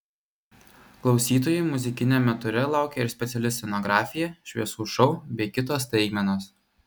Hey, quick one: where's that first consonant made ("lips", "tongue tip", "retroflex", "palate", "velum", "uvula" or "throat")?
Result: velum